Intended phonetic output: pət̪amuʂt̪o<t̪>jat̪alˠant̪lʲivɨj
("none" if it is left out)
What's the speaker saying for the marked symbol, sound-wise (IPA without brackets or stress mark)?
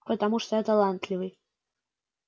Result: none